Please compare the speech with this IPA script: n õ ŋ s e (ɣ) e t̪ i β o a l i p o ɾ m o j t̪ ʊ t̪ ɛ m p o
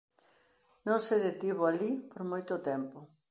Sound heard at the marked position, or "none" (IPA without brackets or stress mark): ð